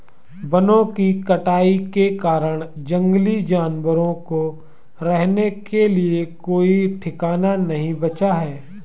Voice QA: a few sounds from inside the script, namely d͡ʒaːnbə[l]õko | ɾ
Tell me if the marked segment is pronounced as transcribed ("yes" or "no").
no